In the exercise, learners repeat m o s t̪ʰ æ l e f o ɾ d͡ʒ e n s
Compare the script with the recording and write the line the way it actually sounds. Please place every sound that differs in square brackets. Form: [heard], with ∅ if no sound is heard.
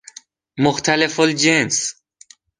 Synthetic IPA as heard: m o [x] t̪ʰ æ l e f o [l] d͡ʒ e n s